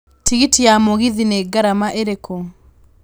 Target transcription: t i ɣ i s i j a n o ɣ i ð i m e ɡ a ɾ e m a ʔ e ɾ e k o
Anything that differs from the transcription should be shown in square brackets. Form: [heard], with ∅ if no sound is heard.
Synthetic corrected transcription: t i ɣ i [t] i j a [m] o ɣ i ð i [n] e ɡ a ɾ [a] m a ʔ e ɾ e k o